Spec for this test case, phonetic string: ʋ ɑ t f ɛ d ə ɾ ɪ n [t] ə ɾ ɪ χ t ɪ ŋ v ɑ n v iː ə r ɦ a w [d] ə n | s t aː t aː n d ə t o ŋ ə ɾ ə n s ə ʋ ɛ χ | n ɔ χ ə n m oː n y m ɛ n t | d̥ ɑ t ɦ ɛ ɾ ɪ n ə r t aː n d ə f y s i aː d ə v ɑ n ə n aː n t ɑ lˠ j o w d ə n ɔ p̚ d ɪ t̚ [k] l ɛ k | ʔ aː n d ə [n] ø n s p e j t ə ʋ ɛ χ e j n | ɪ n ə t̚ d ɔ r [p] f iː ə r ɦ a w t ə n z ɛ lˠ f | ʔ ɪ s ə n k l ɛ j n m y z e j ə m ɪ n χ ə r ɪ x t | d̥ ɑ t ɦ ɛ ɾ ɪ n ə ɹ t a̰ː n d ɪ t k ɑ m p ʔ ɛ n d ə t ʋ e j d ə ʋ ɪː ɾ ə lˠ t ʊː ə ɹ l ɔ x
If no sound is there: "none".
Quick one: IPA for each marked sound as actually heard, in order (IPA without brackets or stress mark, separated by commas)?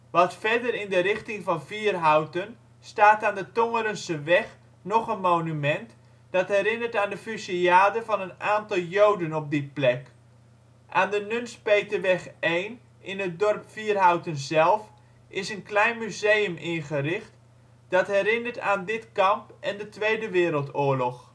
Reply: d, t, p, n, p